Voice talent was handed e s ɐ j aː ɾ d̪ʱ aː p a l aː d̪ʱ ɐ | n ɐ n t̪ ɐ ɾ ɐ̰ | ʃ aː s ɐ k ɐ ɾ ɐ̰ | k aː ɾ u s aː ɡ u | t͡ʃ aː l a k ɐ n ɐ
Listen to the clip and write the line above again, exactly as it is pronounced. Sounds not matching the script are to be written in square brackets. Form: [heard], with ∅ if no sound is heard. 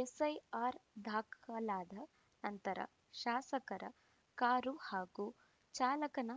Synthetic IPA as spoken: e s ɐ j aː ɾ d̪ʱ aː [k] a l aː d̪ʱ ɐ | n ɐ n t̪ ɐ ɾ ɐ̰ | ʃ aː s ɐ k ɐ ɾ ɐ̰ | k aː ɾ u [h] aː ɡ u | t͡ʃ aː l [ɐ] k ɐ n ɐ